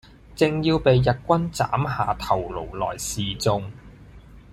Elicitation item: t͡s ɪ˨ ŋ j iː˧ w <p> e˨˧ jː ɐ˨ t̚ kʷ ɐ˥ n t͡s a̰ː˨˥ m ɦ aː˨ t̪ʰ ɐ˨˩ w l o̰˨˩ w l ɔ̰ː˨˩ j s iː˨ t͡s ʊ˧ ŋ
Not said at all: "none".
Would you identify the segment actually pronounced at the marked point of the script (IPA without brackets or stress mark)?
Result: p